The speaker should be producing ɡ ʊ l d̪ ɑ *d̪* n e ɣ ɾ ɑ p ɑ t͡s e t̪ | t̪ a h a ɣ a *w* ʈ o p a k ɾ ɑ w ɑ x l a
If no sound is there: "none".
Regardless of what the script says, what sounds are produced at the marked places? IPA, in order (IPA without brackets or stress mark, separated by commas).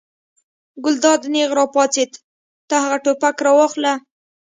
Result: d̪, none